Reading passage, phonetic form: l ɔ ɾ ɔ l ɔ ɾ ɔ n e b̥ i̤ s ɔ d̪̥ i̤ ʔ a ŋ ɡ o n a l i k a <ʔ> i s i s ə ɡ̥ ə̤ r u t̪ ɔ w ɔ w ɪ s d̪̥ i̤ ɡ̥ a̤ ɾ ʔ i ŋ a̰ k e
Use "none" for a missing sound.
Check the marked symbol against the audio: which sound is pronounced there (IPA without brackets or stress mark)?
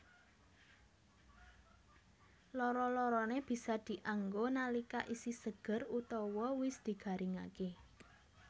ʔ